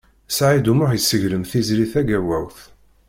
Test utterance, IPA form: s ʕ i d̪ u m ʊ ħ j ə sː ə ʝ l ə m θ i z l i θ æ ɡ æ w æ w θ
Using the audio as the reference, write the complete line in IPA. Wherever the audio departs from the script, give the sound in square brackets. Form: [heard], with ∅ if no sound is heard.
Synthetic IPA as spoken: s ʕ i d̪ u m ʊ ħ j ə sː ə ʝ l ə m θ i z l i θ æ ɡ æ w æ w θ